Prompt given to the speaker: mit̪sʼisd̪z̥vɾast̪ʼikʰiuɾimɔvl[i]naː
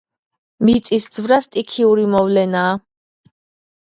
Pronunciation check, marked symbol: incorrect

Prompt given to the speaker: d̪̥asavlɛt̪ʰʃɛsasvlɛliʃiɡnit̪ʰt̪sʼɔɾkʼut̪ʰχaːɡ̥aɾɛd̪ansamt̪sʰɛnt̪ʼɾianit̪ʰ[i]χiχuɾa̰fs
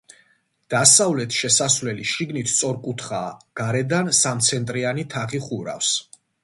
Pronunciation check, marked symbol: incorrect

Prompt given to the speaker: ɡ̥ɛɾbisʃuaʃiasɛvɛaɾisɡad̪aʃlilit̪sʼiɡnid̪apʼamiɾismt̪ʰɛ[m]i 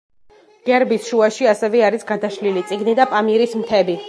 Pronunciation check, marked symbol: incorrect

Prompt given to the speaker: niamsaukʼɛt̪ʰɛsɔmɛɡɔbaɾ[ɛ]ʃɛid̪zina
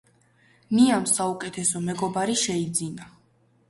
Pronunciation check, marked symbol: incorrect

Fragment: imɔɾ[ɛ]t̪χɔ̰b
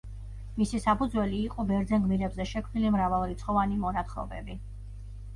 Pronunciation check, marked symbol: incorrect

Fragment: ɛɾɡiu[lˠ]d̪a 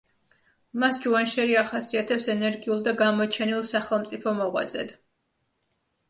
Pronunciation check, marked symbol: correct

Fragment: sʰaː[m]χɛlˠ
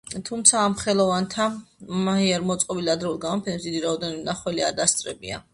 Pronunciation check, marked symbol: correct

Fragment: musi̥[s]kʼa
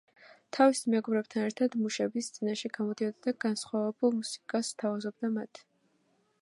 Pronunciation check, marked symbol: incorrect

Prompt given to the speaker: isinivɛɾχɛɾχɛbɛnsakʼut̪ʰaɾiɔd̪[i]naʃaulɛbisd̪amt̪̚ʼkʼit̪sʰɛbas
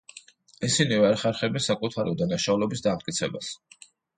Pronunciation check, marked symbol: incorrect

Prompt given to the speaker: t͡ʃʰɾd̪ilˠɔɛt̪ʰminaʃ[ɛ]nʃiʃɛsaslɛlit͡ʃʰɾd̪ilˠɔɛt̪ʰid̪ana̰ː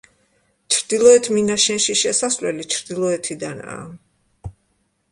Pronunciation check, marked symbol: correct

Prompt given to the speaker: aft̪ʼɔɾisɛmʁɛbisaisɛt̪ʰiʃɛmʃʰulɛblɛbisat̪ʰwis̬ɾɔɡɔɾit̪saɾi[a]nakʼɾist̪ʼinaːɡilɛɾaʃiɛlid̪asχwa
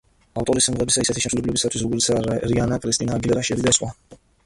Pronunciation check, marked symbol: correct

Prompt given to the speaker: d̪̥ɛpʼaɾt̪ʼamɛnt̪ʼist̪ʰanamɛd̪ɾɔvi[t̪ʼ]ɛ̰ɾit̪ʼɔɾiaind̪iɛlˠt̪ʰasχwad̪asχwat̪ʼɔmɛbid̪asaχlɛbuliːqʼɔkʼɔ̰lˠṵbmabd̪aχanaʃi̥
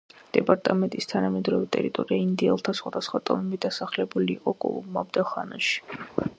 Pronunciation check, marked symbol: correct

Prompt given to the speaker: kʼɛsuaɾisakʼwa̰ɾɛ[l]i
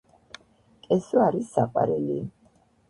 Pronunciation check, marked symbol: correct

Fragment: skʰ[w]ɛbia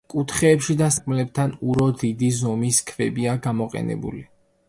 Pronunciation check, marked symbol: incorrect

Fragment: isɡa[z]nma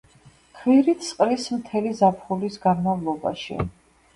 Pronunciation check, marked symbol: incorrect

